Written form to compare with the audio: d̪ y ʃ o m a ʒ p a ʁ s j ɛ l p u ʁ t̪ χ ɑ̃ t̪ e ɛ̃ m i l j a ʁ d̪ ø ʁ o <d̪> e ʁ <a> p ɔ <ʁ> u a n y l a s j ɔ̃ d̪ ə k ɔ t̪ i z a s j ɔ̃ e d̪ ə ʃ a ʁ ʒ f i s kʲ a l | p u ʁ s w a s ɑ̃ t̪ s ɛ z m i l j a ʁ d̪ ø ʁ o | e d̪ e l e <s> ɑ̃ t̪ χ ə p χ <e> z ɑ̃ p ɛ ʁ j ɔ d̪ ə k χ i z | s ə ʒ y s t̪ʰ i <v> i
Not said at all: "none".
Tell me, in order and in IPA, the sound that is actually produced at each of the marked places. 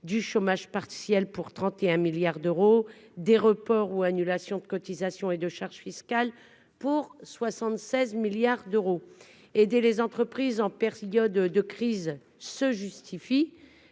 d̪, ə, ʁ, z, i, f

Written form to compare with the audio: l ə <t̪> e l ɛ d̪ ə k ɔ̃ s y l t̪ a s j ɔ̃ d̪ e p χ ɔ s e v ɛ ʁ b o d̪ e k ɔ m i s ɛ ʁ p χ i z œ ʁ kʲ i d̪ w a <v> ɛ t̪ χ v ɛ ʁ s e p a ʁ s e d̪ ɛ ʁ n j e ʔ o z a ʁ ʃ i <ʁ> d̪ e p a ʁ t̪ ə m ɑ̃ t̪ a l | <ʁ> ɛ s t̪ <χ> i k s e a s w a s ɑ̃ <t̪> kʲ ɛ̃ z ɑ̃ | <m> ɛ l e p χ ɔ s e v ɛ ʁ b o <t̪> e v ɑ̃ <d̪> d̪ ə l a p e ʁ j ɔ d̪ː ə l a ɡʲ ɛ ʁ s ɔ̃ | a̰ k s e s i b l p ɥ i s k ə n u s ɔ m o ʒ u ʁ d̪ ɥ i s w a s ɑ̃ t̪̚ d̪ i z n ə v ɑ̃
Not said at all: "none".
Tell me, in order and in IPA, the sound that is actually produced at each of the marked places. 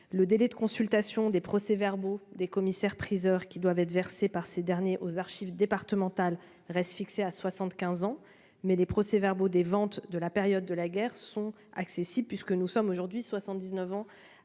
d̪, v, v, ʁ, f, t̪, m, d̪, t̪

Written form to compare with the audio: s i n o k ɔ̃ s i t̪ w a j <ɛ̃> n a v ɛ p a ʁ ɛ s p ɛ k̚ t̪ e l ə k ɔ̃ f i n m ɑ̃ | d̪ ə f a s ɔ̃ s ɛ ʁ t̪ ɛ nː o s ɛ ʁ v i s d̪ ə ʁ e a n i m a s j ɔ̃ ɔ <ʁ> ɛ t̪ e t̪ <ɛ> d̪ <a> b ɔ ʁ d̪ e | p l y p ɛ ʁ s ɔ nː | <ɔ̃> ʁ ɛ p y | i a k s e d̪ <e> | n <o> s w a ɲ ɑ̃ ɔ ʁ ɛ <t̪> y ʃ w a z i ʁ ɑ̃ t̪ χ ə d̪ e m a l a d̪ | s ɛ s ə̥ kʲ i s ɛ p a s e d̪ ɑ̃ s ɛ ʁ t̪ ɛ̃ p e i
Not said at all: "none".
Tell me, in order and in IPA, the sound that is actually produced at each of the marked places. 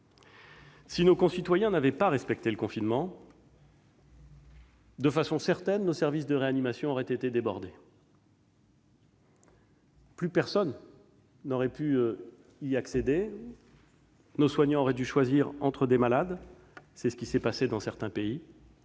ɛ̃, ʁ, e, e, ɔ, e, o, d̪

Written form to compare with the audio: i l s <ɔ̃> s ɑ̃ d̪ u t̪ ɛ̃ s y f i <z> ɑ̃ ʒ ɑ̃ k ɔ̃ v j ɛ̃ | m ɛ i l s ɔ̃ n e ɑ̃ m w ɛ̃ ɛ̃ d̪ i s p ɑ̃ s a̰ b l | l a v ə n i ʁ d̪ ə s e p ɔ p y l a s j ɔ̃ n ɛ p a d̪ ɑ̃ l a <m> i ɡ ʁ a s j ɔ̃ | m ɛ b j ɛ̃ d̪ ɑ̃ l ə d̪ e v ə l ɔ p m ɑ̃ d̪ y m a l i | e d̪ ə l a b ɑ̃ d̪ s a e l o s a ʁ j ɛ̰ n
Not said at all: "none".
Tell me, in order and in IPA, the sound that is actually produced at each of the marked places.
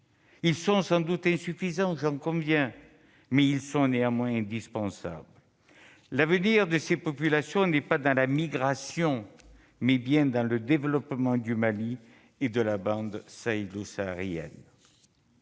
ɔ̃, z, m

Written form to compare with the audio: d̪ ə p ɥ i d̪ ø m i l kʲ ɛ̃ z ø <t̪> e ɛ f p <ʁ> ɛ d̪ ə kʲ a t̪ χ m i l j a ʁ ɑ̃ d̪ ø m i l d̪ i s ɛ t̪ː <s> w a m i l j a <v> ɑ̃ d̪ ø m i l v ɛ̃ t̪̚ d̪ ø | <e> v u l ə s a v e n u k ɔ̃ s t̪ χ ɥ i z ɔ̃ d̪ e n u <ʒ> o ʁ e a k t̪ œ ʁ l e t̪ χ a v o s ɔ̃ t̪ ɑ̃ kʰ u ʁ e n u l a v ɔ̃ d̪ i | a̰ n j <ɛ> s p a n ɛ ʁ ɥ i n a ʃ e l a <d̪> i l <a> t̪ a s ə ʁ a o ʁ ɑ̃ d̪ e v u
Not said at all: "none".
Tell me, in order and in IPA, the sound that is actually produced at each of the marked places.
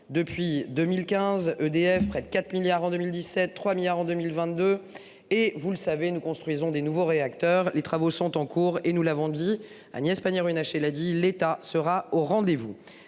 d̪, χ, χ, ʁ, e, v, ɛ, d̪, e

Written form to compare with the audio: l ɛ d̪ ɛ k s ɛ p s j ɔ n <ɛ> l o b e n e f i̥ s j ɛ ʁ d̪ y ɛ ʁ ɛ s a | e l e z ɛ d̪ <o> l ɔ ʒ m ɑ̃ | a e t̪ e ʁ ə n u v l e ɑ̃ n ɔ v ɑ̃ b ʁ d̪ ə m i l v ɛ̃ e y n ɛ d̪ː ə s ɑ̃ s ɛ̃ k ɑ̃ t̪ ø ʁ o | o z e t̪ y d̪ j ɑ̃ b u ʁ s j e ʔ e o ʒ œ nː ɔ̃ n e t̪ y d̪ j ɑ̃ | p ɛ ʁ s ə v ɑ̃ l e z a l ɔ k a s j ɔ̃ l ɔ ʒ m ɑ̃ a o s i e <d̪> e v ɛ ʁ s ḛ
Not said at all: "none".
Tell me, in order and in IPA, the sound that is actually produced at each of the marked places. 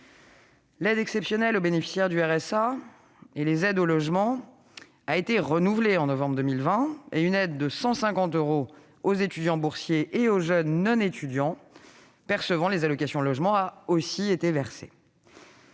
ɛ, o, t̪

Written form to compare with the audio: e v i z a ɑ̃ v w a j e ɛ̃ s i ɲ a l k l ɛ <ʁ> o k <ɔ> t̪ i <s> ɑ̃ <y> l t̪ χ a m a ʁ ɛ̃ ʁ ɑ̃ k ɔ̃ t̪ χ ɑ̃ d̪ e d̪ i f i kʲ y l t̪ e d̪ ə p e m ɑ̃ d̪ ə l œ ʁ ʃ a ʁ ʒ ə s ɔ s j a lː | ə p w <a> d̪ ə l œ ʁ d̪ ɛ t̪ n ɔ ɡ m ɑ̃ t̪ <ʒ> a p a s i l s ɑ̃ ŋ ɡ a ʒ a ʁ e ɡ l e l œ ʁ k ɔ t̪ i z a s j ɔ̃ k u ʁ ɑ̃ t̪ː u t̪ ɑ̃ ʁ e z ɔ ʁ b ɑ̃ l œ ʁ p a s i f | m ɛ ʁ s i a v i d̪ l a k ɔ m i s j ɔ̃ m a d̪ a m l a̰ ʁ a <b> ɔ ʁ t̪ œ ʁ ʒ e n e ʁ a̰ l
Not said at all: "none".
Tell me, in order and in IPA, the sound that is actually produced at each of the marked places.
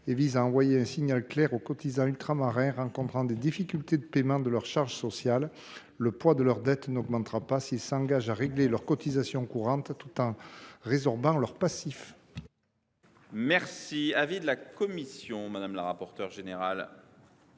ʁ, ɔ, z, y, a, ʁ, p

